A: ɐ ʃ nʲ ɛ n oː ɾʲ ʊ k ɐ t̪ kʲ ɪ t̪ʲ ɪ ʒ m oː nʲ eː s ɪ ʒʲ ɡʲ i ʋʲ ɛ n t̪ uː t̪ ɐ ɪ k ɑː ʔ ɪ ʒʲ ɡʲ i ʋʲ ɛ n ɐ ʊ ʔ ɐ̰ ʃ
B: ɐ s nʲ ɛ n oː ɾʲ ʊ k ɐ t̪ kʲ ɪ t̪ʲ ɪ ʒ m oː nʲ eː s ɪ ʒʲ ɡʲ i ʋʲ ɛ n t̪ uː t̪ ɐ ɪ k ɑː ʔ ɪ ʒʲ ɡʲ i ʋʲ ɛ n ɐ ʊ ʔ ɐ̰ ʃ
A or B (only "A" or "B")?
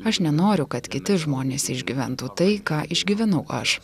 A